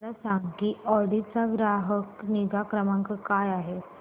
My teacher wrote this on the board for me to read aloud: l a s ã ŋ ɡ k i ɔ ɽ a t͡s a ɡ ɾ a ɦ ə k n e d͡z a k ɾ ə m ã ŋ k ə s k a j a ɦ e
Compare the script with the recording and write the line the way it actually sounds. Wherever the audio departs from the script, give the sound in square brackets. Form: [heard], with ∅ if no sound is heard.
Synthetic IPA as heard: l a s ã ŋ ɡ k i ɔ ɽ [i] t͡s a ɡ ɾ a ɦ ə k n [i] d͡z a k ɾ ə m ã ŋ k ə [∅] k a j a ɦ e